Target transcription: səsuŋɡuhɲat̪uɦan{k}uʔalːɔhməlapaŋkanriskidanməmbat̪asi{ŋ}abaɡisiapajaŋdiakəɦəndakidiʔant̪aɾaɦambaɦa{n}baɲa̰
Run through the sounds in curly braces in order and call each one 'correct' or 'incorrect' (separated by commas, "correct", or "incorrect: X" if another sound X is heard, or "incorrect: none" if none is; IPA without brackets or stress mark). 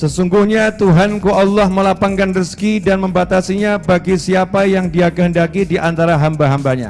correct, incorrect: ɲ, incorrect: m